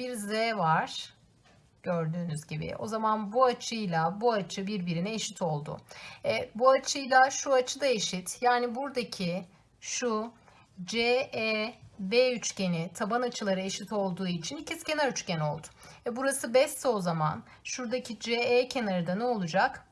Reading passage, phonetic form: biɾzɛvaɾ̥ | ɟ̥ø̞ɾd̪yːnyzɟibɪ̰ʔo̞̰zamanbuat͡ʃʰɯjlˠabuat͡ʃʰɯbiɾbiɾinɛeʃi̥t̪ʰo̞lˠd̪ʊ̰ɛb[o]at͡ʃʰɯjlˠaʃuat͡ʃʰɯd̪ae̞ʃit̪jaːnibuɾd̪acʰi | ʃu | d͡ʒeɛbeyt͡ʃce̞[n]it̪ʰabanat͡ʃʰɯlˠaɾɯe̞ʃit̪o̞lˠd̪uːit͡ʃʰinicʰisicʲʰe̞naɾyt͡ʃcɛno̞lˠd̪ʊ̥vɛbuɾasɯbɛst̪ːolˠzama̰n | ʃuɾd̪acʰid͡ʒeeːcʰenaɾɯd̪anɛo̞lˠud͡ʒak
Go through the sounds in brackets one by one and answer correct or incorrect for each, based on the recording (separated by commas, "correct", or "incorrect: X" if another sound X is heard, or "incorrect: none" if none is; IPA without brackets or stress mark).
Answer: incorrect: u, correct